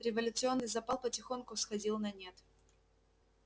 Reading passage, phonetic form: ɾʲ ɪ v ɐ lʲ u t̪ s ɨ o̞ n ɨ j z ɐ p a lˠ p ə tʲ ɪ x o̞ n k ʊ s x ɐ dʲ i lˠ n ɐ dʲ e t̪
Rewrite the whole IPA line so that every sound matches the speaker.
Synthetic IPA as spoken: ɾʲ ɪ v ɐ lʲ ʊ t̪ s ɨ o̞ nː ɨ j z ɐ p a lˠ p ə tʲ ɪ x o̞ n k ʊ s x ɐ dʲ i lˠ n ɐ nʲ e t̪